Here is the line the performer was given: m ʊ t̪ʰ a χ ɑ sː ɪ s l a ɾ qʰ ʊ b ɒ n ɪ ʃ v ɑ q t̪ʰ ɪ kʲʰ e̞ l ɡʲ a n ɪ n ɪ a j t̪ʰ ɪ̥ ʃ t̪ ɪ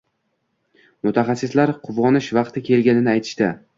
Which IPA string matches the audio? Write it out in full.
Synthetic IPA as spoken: m ʊ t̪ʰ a χ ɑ sː ɪ s l a ɾ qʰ ʊ v ɒ n ɪ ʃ v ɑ q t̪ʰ ɪ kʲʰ e̞ l ɡʲ a n ɪ n ɪ a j t̪ʰ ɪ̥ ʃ t̪ ɪ